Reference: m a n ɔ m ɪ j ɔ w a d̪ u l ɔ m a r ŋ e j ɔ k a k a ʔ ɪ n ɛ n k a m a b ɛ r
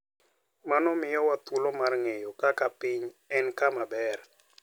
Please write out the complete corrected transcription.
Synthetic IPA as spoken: m a n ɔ m ɪ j ɔ w a t̪ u l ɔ m a r ŋ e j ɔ k a k a p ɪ ɲ ɛ n k a m a b ɛ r

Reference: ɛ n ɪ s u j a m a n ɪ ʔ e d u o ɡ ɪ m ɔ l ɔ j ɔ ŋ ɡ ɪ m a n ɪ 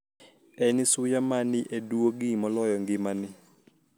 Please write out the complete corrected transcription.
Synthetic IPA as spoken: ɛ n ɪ s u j a m a n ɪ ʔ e d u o ɡ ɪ m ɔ l ɔ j ɔ ŋ ɡ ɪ m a n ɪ

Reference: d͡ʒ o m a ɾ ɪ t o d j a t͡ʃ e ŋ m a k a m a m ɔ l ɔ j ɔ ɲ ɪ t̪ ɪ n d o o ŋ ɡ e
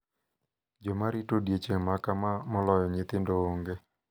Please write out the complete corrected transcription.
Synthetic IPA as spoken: d͡ʒ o m a ɾ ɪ t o d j e t͡ʃ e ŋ m a k a m a m ɔ l ɔ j ɔ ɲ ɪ t̪ ɪ n d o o ŋ ɡ e

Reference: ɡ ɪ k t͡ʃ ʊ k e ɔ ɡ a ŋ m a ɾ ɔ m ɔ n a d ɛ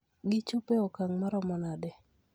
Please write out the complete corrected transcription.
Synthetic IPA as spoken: ɡ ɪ t͡ʃ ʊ p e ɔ k a ŋ m a ɾ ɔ m ɔ n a d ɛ

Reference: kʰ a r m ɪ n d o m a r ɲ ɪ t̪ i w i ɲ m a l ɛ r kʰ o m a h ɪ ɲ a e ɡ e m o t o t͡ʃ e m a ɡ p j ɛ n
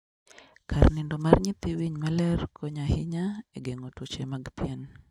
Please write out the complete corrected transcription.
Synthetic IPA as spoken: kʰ a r n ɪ n d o m a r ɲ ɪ t̪ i w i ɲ m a l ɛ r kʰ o ɲ a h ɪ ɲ a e ɡ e ŋ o t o t͡ʃ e m a ɡ p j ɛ n

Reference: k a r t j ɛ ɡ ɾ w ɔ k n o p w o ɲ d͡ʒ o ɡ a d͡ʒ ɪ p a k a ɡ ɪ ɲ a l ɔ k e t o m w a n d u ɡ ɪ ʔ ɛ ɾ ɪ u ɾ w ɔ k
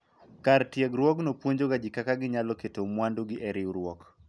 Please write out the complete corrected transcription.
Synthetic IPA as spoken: k a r t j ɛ ɡ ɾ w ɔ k n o p w o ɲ d͡ʒ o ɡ a d͡ʒ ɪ k a k a ɡ ɪ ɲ a l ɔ k e t o m w a n d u ɡ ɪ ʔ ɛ ɾ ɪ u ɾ w ɔ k

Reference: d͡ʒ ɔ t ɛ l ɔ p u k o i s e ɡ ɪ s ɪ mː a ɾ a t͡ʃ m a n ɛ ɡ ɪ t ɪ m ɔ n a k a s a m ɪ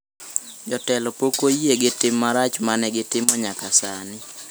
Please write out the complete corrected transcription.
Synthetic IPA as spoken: d͡ʒ ɔ t ɛ l ɔ p o k o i e ɡ ɪ t ɪ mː a ɾ a t͡ʃ m a n ɛ ɡ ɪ t ɪ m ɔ ɲ a k a s a n ɪ

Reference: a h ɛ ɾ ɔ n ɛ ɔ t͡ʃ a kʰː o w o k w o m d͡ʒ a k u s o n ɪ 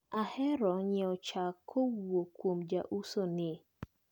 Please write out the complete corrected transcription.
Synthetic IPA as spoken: a h ɛ ɾ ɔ ɲ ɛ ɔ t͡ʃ a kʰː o w o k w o m d͡ʒ a ʔ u s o n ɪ

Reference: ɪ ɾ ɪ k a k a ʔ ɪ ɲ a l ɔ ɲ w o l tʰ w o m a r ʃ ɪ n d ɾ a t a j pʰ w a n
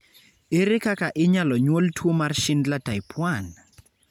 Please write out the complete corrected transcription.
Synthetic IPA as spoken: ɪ ɾ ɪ k a k a ʔ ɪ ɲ a l ɔ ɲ w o l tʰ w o m a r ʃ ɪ n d l a t a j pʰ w a n

